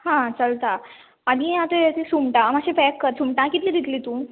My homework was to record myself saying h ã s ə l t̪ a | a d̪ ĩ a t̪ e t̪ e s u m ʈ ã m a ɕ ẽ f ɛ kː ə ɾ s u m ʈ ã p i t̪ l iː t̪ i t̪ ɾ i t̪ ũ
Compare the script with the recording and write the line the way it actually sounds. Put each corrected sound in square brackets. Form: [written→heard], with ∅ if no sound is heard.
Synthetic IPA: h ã [s→t͡s] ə l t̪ a | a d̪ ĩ a t̪ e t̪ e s u m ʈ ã m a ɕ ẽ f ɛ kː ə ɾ s u m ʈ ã [p→k] i t̪ l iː [t̪→d̪] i t̪ [ɾ→l] i t̪ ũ